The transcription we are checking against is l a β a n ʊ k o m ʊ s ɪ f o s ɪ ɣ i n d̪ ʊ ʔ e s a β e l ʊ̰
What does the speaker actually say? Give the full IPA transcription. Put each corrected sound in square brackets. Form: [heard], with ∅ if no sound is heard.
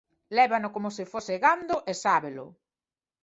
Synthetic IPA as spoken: l [ɛ] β a n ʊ k o m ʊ s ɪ f o s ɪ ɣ [a] n d̪ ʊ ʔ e s a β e l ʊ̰